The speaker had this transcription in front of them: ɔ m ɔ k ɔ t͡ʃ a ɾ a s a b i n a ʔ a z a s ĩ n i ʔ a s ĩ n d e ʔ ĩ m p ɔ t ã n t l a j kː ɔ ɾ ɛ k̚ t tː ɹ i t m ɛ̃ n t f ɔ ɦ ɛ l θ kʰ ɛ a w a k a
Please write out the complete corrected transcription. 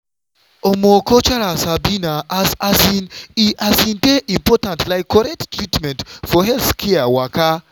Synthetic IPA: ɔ m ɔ k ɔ t͡ʃ a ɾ a s a b i n a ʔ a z a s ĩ n i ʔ a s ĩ n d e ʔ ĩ m p ɔ t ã n t l a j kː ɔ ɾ ɛ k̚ t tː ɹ i t m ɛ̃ n t f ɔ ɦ ɛ l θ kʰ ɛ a w a k a